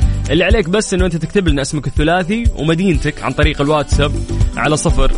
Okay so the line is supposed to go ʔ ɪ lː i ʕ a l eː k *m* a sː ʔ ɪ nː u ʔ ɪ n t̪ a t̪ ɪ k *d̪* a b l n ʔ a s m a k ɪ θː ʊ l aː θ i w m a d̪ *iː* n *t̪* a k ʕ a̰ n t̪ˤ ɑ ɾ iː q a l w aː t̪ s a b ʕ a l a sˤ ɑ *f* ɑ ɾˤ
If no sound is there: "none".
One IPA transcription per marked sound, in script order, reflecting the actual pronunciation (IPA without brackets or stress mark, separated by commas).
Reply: b, t̪, iː, t̪, f